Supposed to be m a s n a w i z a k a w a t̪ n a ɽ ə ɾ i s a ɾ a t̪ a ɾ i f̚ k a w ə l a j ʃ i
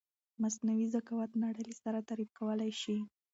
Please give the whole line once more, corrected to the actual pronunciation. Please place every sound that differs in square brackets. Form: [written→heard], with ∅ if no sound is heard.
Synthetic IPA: m a s n a w i z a k a w a t̪ n a ɽ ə [ɾ→l] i s a ɾ a t̪ a ɾ i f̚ k a w ə l a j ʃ i